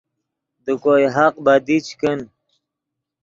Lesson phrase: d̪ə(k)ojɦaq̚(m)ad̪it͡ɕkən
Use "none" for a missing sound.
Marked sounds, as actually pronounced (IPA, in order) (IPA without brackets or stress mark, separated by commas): k, b